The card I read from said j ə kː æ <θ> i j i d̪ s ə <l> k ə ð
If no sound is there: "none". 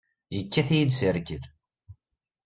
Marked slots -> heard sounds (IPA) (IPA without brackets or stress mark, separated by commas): θ, ɾ